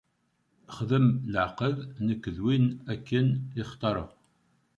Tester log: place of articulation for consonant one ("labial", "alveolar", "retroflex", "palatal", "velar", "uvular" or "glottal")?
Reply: uvular